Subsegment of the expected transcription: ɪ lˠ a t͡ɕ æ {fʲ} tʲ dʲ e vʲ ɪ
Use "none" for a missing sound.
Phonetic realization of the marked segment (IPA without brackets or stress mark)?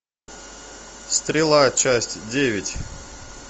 sʲ